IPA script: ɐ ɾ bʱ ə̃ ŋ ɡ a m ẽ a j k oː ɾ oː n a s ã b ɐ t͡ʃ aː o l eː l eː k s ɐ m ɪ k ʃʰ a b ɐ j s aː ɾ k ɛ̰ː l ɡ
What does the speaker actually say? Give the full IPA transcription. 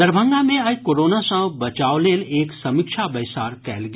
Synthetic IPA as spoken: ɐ ɾ bʱ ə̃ ŋ ɡ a m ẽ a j k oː ɾ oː n a s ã b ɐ t͡ʃ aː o l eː l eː k s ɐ m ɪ k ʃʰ a b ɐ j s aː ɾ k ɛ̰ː l ɡ